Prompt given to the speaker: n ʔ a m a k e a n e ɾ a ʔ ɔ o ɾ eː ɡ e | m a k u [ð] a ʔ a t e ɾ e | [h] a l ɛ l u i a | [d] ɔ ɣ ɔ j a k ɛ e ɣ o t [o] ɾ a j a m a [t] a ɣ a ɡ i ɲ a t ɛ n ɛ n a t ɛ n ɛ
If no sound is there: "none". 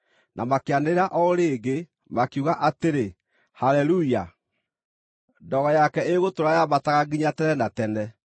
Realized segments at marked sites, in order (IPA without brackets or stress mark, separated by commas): ɣ, h, d, o, t